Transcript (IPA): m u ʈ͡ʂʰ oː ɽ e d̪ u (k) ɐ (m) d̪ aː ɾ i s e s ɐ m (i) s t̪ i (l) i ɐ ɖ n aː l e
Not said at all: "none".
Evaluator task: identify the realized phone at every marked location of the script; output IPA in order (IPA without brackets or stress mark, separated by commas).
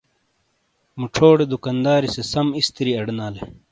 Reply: k, n, i, ɾ